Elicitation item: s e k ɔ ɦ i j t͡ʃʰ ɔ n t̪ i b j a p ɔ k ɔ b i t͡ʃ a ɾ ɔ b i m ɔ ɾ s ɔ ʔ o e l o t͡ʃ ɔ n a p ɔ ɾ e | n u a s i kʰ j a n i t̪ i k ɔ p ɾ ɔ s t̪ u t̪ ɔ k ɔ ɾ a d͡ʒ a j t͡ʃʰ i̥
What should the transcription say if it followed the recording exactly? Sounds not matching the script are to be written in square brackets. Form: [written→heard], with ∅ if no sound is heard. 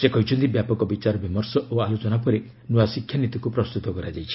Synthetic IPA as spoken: s e k ɔ ɦ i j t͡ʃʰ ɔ n t̪ i b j a p ɔ k ɔ b i t͡ʃ a ɾ ɔ b i m ɔ ɾ s ɔ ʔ o [e→a] l o t͡ʃ ɔ n a p ɔ ɾ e | n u a s i kʰ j a n i t̪ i k [ɔ→u] p ɾ ɔ s t̪ u t̪ ɔ k ɔ ɾ a d͡ʒ a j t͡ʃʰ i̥